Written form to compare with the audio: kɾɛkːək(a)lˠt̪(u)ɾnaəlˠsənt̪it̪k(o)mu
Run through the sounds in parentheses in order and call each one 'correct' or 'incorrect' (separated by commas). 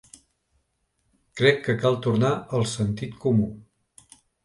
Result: correct, correct, incorrect